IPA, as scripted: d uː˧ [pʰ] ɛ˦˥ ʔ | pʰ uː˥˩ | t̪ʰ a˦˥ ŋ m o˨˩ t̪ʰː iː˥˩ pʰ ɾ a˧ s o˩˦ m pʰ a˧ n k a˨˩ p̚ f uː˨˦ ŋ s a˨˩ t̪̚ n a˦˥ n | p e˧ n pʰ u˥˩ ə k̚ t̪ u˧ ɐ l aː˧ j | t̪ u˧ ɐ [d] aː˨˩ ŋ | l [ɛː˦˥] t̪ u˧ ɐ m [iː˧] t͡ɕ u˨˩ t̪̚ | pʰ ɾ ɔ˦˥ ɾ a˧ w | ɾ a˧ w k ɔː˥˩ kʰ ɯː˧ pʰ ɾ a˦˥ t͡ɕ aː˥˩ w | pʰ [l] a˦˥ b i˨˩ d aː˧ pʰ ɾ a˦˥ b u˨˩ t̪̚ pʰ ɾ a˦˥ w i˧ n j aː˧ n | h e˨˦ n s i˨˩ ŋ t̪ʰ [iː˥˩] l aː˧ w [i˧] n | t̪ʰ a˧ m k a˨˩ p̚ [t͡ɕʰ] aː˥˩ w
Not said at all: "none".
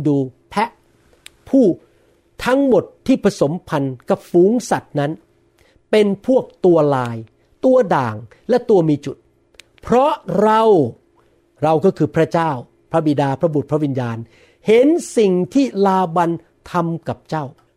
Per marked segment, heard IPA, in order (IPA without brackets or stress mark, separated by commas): pʰ, d, ɛ˦˥, iː˧, ɾ, iː˥˩, a˧, t͡ɕ